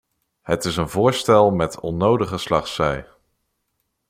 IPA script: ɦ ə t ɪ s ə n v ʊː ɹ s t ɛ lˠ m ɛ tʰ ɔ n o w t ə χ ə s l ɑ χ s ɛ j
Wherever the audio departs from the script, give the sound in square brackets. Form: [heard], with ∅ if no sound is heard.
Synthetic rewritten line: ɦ ə t ɪ s ə n v ʊː ɹ s t ɛ lˠ m ɛ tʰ ɔ n o w [d] ə χ ə s l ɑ χ s ɛ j